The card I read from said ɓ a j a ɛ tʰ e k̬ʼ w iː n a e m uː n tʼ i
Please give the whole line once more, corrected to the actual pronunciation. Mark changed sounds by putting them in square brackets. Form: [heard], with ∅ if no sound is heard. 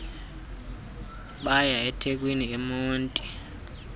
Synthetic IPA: ɓ a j a ɛ tʰ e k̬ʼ w [i] n [i] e m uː n tʼ i